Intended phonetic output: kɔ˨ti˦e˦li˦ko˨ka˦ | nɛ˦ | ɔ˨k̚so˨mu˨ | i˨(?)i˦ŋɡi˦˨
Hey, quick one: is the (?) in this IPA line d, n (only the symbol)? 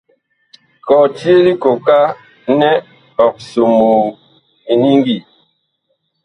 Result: n